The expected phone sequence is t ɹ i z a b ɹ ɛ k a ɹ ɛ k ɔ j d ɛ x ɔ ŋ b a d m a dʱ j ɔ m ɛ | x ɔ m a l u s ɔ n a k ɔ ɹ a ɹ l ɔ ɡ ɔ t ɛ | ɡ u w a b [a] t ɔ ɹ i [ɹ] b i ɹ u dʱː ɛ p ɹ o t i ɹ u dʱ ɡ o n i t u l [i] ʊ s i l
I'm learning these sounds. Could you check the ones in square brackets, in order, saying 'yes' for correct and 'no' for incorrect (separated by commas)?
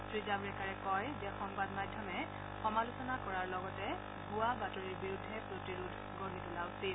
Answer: yes, yes, no